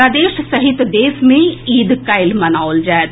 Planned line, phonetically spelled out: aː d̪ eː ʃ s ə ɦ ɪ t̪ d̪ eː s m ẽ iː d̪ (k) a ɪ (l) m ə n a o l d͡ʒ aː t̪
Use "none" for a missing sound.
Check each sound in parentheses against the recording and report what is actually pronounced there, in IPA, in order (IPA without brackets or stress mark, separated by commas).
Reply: k, l